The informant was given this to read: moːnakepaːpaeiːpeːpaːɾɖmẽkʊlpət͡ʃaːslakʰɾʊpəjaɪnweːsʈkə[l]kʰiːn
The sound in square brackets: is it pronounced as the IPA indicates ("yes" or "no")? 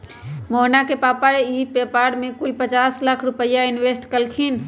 yes